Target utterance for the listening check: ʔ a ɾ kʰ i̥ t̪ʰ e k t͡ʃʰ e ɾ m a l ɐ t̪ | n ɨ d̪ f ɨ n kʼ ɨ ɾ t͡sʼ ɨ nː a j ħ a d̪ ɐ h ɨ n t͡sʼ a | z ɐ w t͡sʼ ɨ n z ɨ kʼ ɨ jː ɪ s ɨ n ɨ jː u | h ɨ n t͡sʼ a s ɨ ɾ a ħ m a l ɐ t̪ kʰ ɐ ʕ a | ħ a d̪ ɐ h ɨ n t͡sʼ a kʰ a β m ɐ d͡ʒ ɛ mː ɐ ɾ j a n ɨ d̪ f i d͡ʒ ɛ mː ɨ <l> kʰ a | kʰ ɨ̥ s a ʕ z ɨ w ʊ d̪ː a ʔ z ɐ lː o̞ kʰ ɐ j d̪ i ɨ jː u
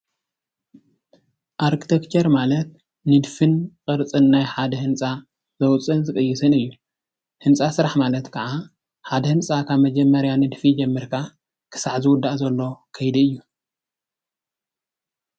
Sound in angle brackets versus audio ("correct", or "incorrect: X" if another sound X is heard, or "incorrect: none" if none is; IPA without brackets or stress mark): incorrect: ɾ